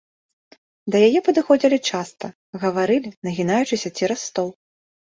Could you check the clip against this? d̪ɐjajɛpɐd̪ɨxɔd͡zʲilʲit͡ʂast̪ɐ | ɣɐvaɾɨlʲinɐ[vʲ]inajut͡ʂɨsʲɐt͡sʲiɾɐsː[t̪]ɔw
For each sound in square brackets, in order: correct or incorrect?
incorrect: ɣʲ, correct

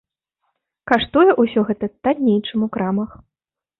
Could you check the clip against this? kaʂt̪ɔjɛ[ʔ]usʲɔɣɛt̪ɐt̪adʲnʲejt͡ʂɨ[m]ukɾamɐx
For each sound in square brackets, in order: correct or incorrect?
correct, correct

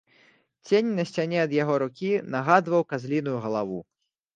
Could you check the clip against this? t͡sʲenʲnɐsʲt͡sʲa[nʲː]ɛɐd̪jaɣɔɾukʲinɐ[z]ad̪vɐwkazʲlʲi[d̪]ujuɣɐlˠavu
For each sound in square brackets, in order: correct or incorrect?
incorrect: nʲ, incorrect: ɣ, incorrect: n̪

